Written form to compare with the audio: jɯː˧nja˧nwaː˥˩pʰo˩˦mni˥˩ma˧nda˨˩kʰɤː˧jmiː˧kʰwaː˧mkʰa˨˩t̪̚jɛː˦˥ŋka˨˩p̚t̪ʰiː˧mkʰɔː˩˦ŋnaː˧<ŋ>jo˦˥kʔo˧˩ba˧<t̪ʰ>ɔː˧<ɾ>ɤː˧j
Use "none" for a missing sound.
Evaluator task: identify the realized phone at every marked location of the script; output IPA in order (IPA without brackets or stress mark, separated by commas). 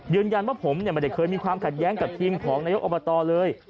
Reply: none, t̪, l